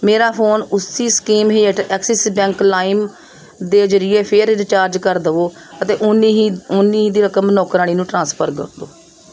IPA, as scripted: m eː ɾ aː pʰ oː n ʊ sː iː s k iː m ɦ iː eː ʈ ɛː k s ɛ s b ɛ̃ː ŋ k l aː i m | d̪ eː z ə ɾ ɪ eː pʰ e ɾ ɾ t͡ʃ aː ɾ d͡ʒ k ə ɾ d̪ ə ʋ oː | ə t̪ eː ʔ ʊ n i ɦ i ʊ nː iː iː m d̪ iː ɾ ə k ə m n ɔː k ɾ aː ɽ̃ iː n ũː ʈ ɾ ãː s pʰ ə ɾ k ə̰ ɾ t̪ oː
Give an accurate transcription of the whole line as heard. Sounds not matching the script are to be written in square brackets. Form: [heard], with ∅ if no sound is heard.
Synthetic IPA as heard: m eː ɾ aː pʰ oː n ʊ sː iː s k iː m ɦ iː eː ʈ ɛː k s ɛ s b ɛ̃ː ŋ k l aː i m | d̪ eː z ə ɾ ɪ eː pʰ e ɾ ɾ t͡ʃ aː ɾ d͡ʒ k ə ɾ d̪ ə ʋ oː | ə t̪ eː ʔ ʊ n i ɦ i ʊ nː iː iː [∅] d̪ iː ɾ ə k ə m n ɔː k ɾ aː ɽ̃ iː n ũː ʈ ɾ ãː s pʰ ə ɾ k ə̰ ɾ [d̪] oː